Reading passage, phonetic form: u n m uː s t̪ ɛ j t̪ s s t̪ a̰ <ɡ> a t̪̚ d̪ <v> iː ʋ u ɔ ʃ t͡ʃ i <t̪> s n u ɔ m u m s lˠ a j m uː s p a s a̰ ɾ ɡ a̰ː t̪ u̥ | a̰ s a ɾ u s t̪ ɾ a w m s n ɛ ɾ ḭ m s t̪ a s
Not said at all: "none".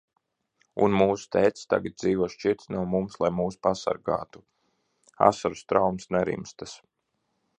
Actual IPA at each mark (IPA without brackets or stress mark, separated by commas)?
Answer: ɡ, z, t̪